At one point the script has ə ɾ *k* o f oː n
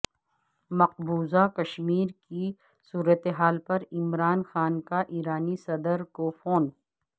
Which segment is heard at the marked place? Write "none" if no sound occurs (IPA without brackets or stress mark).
k